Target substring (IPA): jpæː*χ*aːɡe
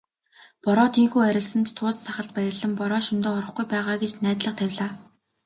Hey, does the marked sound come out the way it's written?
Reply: no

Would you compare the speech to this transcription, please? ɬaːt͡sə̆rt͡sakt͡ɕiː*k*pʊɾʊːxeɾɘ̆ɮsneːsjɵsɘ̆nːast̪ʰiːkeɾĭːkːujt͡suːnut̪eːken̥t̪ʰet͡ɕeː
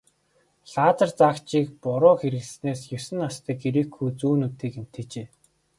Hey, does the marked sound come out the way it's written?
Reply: yes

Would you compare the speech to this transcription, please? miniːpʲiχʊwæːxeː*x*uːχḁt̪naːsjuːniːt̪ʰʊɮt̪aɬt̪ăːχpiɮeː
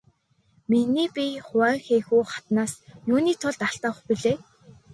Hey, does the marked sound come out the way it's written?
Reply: yes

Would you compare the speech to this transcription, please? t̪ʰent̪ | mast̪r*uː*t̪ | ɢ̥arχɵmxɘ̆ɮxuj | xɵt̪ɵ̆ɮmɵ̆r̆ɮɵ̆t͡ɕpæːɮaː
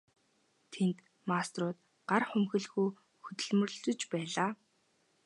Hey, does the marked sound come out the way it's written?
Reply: no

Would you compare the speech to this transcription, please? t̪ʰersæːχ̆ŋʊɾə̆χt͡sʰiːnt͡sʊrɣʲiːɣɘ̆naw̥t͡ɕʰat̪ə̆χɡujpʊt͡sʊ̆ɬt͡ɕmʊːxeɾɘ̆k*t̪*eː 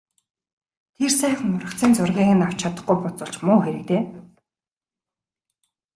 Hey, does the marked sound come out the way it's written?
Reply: yes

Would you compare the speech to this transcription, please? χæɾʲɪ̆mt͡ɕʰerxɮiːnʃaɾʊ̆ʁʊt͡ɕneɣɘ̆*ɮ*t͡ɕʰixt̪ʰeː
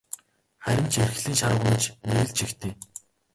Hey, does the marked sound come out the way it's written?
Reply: yes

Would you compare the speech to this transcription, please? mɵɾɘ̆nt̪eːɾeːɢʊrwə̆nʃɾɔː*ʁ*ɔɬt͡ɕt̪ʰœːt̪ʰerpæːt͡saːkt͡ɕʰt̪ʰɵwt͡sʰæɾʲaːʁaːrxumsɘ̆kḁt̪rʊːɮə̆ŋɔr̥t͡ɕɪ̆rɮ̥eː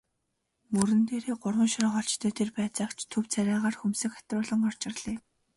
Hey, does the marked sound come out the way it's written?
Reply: no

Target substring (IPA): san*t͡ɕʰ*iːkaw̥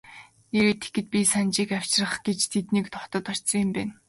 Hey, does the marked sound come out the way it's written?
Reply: no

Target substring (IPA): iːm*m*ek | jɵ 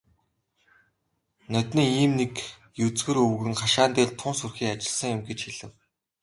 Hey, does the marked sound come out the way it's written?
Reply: no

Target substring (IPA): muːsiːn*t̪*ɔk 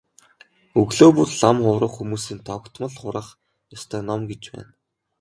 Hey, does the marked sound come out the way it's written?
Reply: no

